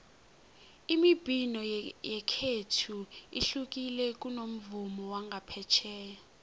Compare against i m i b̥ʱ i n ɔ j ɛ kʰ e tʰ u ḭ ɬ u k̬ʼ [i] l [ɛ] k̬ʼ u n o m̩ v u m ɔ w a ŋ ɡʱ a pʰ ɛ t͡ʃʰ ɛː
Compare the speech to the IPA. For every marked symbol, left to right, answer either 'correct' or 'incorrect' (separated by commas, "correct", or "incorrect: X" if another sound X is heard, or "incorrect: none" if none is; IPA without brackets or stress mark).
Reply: correct, correct